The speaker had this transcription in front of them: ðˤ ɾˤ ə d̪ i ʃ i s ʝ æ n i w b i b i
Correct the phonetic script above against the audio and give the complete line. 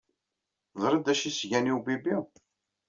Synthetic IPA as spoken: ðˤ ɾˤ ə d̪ æ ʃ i s ʝ æ n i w b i b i